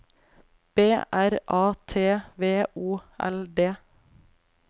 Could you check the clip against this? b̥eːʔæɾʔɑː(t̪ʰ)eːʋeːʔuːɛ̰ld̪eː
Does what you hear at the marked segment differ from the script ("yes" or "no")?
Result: no